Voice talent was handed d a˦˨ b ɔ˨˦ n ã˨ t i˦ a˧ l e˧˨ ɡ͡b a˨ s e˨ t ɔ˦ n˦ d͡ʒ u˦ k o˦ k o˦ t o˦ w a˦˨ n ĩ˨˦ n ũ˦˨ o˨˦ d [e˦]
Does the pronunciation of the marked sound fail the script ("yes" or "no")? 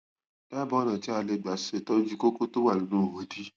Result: yes